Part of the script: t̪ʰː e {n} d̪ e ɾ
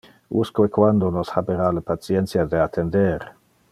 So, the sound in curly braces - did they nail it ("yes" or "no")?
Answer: yes